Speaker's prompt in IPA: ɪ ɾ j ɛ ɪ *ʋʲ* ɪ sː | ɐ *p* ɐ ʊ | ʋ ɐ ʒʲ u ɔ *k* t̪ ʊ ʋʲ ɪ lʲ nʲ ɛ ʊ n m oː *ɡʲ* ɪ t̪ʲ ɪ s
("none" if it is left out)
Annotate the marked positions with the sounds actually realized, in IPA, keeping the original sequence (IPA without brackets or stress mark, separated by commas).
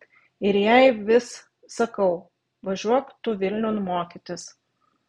ʋʲ, k, k, kʲ